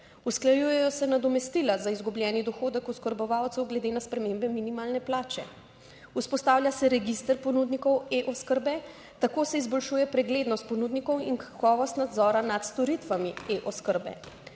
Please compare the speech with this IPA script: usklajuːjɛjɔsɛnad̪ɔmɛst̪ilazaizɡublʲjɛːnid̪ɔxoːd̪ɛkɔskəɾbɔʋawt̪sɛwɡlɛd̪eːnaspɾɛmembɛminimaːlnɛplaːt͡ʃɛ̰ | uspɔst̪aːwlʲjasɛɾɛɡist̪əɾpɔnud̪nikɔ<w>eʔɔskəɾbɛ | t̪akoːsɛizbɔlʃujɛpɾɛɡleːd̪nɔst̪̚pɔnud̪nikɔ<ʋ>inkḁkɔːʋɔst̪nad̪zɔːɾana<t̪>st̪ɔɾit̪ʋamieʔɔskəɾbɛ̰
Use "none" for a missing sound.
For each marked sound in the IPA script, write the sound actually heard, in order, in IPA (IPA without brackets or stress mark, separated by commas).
w, w, t̪